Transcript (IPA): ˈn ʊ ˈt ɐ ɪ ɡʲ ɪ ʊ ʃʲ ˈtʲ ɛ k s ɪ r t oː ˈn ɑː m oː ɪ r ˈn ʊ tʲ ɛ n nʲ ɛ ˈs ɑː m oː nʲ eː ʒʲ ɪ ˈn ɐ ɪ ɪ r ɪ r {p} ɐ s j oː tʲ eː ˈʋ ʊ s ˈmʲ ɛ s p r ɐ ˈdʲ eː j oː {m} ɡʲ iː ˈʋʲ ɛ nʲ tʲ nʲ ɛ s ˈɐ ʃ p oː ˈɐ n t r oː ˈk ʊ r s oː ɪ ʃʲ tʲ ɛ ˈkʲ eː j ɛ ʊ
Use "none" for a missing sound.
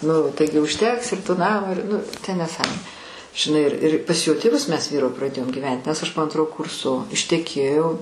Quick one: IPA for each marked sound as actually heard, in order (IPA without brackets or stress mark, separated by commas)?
p, m